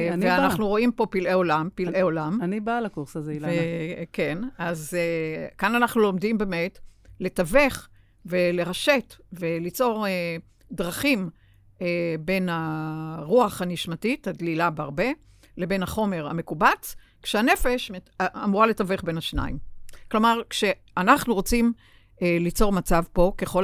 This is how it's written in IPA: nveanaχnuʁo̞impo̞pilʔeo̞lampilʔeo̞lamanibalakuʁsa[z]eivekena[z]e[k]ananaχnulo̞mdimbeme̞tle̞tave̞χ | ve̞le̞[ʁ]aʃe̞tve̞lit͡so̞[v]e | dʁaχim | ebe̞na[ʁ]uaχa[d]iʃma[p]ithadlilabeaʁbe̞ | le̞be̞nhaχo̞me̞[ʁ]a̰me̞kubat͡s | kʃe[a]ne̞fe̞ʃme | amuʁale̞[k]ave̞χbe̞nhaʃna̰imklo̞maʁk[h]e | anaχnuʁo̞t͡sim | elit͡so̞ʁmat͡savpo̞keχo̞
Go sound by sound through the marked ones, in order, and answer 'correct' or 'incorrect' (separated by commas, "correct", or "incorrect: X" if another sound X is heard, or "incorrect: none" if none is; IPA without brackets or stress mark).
correct, correct, correct, correct, incorrect: ʁ, correct, incorrect: n, incorrect: t, correct, correct, incorrect: t, incorrect: ʃ